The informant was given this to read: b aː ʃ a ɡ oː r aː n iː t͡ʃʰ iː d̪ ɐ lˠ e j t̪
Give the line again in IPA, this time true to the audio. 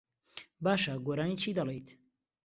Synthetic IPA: b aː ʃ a ɡ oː ɾ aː n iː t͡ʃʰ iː d̪ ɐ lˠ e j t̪